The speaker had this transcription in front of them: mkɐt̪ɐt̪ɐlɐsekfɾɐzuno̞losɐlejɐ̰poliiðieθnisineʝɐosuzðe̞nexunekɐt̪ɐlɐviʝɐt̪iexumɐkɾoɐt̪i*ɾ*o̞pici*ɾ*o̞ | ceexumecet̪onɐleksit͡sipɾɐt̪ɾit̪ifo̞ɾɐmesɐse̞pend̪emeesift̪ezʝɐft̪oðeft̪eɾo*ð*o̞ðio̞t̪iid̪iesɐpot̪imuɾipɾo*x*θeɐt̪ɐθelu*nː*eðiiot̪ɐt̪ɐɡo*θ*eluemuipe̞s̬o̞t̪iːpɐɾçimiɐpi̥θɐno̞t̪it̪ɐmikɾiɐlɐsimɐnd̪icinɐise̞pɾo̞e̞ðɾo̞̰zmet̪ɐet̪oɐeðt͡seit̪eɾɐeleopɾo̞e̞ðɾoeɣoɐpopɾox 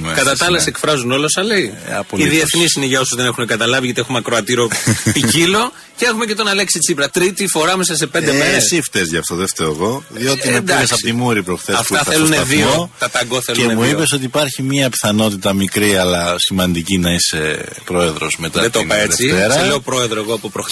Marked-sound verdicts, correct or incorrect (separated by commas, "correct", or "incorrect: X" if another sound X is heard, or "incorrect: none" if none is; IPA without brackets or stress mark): correct, incorrect: l, incorrect: ɣ, correct, incorrect: n, correct